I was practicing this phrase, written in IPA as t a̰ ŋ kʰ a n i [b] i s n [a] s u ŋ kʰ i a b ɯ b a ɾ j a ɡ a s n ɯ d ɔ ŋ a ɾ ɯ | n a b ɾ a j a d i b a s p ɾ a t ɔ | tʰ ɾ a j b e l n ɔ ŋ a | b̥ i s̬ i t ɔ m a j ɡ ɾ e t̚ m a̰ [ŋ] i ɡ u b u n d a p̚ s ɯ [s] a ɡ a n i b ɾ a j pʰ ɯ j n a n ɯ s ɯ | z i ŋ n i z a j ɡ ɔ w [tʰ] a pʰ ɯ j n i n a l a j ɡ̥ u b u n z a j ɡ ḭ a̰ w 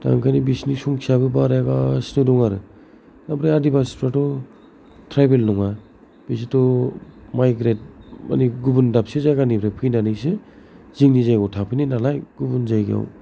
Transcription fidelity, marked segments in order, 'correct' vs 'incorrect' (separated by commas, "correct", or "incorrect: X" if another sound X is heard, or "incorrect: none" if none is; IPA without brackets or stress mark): correct, incorrect: i, incorrect: n, incorrect: z, correct